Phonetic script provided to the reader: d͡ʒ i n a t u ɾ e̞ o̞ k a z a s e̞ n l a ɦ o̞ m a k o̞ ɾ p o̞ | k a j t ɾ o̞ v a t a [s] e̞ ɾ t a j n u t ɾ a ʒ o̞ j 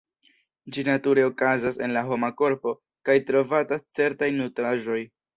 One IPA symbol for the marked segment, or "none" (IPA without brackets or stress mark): t͡s